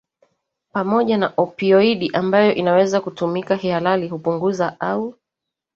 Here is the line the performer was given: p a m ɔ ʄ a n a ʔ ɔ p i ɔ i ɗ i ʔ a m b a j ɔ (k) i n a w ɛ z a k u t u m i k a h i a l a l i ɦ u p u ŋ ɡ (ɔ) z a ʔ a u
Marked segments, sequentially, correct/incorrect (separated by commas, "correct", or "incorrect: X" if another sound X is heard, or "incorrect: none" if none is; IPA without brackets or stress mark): incorrect: ʔ, incorrect: u